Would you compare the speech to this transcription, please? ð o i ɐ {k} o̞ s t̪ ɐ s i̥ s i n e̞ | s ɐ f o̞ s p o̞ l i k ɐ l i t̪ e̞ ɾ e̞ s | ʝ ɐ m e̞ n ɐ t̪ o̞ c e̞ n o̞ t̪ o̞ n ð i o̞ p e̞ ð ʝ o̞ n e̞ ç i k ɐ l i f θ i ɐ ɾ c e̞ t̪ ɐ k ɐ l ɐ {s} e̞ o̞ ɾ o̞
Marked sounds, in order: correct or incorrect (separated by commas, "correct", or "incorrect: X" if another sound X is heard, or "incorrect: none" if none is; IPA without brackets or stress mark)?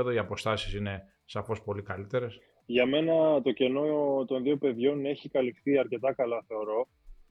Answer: incorrect: p, incorrect: θ